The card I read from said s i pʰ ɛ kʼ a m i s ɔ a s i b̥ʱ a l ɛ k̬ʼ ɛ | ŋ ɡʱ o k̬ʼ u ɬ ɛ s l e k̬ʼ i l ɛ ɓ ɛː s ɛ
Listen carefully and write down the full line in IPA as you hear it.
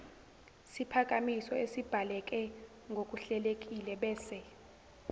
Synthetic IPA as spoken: s i pʰ a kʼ a m i s ɔ e s i b̥ʱ a l ɛ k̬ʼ ɛ | ŋ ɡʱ o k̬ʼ u ɬ ɛ l e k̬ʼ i l ɛ ɓ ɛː s ɛ